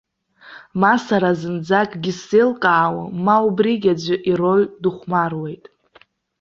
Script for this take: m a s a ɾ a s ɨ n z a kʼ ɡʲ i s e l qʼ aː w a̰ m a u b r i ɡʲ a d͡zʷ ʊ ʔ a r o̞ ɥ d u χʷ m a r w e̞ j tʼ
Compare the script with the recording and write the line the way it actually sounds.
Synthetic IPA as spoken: m a s a ɾ a z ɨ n d͡z a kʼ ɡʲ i s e l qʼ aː w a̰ m a u b r i ɡʲ a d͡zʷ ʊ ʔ i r o̞ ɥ d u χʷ m a r w e̞ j tʼ